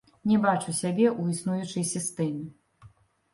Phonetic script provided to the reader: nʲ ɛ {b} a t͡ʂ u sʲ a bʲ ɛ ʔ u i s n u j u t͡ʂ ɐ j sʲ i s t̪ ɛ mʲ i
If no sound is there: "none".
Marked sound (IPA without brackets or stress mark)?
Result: b